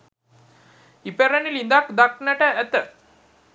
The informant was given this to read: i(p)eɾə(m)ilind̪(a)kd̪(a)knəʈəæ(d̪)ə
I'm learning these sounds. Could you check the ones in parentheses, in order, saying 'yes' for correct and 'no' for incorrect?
yes, no, yes, yes, no

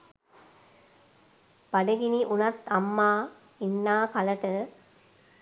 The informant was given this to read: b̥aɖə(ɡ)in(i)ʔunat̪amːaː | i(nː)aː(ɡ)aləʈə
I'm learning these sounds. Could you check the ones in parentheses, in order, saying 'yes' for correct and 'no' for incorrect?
yes, yes, yes, no

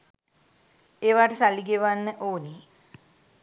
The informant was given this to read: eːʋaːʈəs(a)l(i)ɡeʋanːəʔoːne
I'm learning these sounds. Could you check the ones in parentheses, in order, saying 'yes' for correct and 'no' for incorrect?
yes, yes

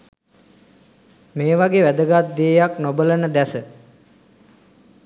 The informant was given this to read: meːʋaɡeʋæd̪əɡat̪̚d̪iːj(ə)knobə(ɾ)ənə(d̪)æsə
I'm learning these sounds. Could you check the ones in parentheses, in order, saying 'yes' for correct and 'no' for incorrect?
no, no, yes

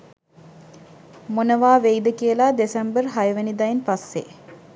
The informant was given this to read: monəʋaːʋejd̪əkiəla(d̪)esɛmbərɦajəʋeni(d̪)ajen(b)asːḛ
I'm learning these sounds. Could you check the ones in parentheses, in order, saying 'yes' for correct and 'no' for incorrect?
yes, yes, no

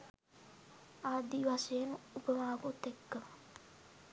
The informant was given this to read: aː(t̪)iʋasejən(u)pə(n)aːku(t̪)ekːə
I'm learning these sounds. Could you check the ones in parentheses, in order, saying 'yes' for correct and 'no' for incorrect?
no, yes, no, yes

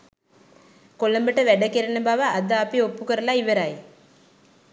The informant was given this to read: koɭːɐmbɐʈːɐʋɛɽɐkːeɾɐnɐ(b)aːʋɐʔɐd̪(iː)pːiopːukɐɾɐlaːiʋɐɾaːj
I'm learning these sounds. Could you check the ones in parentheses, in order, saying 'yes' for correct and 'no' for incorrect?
yes, no

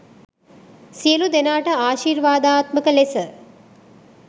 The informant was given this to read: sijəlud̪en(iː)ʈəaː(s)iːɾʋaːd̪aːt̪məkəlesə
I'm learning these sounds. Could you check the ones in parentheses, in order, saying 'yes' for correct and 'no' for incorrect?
no, no

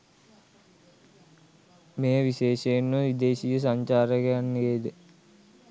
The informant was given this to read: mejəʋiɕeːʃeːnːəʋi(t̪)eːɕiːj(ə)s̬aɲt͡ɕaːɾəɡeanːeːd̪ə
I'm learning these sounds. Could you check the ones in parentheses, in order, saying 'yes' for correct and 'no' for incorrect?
no, yes

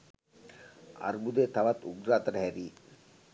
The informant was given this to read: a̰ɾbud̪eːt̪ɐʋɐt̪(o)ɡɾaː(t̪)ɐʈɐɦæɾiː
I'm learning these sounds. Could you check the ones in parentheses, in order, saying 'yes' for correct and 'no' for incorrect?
no, yes

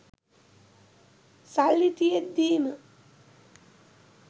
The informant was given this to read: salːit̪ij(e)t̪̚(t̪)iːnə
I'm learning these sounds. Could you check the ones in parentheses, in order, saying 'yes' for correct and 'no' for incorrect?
yes, no

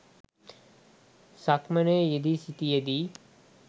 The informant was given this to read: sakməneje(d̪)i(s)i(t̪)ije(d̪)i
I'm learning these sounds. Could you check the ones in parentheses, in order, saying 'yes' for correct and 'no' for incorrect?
yes, yes, yes, yes

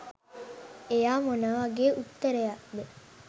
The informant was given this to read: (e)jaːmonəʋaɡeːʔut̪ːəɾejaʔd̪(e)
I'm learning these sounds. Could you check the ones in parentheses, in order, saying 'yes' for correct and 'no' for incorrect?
yes, yes

